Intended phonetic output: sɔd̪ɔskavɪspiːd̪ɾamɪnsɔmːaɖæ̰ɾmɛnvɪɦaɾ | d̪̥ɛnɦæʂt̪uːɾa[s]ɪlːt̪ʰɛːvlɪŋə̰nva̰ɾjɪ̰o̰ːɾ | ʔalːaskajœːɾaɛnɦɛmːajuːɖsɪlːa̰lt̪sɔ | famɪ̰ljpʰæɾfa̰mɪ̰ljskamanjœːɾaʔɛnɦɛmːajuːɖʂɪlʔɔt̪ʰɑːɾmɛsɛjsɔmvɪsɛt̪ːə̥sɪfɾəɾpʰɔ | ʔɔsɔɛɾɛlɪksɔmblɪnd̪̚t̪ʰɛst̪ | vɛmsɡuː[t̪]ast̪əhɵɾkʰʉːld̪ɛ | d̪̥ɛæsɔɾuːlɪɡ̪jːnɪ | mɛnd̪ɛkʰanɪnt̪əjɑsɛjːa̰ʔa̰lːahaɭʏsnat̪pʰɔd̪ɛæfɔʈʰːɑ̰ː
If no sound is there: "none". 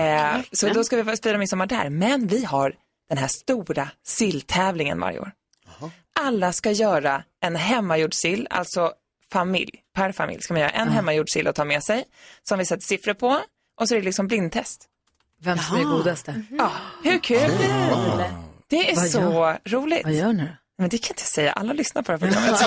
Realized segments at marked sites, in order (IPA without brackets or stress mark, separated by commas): s, d̪